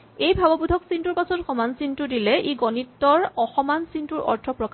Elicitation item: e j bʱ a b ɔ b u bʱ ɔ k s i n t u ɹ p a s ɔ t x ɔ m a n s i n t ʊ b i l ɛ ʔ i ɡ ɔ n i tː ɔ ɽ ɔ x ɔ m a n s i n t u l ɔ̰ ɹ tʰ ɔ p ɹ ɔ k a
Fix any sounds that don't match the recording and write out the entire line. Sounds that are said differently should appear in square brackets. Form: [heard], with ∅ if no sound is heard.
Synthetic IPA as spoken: e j bʱ a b ɔ b u [dʱ] ɔ k s i n t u ɹ p a s ɔ t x ɔ m a n s i n t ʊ [d] i l ɛ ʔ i ɡ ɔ n i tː ɔ [ɹ] ɔ x ɔ m a n s i n t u [ɹ] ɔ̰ ɹ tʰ ɔ p ɹ ɔ k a